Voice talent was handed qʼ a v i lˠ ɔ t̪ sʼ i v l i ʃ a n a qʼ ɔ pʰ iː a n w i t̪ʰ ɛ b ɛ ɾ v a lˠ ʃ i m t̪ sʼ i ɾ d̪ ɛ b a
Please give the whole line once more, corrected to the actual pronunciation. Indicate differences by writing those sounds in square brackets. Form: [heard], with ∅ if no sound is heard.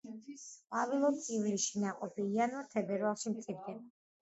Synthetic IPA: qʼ a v i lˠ ɔ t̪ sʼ i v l i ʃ [i] n a qʼ ɔ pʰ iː a n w [a] t̪ʰ ɛ b ɛ ɾ v a lˠ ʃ i m t̪ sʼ i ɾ d̪ ɛ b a